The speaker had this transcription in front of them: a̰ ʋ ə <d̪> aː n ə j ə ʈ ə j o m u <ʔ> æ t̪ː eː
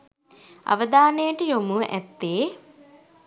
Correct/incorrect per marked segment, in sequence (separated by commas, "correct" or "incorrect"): correct, correct